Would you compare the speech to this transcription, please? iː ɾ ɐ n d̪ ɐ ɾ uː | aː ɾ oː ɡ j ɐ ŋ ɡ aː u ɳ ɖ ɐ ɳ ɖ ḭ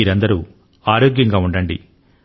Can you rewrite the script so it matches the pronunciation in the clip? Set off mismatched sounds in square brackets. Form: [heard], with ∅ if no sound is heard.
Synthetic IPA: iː ɾ ɐ n d̪ ɐ ɾ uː | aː ɾ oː ɡ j ɐ ŋ ɡ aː u ɳ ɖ ɐ ɳ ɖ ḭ